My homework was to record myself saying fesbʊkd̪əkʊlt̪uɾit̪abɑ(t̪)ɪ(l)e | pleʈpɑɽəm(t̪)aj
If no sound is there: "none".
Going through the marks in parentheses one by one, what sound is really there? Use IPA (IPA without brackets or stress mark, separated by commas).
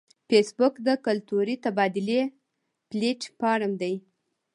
d̪, l, d̪